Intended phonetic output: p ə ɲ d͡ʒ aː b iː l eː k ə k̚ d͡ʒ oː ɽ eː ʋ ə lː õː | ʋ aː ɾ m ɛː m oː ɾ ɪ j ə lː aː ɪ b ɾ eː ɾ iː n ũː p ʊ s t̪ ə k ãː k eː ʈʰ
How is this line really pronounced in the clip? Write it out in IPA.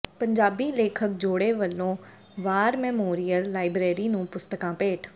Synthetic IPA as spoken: p ə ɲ d͡ʒ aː b iː l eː kʰ ə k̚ d͡ʒ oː ɽ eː ʋ ə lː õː | ʋ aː ɾ m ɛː m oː ɾ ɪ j ə lː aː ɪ b ɾ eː ɾ iː n ũː p ʊ s t̪ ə k ãː p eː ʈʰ